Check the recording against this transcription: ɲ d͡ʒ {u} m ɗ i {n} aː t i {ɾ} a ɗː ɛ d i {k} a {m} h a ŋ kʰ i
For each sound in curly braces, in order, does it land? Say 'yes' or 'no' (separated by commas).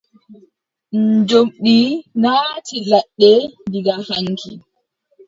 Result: no, yes, no, no, no